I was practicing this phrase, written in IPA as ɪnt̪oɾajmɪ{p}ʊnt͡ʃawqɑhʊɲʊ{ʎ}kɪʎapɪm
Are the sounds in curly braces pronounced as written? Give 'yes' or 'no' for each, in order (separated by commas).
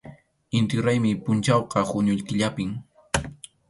yes, yes